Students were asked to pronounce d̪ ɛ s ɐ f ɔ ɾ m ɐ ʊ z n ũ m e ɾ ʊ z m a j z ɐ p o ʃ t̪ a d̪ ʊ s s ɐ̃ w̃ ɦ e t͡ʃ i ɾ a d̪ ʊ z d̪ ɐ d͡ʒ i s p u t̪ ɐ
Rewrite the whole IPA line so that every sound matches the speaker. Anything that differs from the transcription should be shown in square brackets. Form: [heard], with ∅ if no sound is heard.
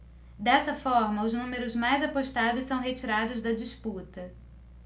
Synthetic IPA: d̪ ɛ s ɐ f ɔ ɾ m ɐ ʊ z n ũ m e ɾ ʊ z m a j z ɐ p o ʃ t̪ a d̪ ʊ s s ɐ̃ w̃ ɦ e t͡ʃ i ɾ a d̪ ʊ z d̪ ɐ d͡ʒ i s p u t̪ ɐ

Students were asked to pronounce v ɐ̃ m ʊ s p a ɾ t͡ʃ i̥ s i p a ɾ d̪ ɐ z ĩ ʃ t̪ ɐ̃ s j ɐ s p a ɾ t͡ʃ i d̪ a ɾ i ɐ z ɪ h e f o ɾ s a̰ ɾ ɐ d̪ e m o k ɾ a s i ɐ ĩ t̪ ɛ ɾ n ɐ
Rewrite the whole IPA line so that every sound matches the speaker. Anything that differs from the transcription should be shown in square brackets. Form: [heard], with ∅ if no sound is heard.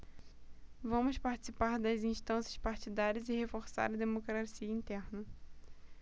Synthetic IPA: v ɐ̃ m ʊ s p a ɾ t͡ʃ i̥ s i p a ɾ d̪ ɐ z ĩ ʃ t̪ ɐ̃ s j ɐ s p a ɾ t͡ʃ i d̪ a ɾ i ɐ z ɪ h e f o ɾ s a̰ ɾ ɐ d̪ e m o k ɾ a s i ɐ ĩ t̪ ɛ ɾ n ɐ

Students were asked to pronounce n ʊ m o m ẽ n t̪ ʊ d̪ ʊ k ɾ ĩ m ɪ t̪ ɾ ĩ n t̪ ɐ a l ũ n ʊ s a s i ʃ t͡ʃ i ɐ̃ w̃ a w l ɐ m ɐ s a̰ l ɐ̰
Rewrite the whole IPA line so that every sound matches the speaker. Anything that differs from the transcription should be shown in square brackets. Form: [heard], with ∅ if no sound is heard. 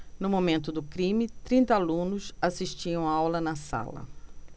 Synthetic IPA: n ʊ m o m ẽ n t̪ ʊ d̪ ʊ k ɾ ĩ m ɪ t̪ ɾ ĩ n t̪ ɐ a l ũ n ʊ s a s i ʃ t͡ʃ i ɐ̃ w̃ a w l ɐ [n] ɐ s a̰ l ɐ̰

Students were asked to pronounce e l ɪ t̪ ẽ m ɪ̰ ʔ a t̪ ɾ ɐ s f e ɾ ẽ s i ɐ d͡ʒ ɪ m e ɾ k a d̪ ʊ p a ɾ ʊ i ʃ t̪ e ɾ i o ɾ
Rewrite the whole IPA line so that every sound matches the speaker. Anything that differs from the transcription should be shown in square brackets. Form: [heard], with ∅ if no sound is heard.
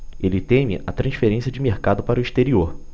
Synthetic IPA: e l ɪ t̪ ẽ m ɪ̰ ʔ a t̪ ɾ [ɐ̃] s f e ɾ ẽ s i ɐ d͡ʒ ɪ m e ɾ k a d̪ ʊ p a ɾ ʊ i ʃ t̪ e ɾ i o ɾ

